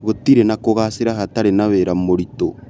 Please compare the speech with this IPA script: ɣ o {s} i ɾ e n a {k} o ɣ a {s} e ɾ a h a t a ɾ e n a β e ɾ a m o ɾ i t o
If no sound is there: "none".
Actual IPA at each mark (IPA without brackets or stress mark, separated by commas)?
t, k, s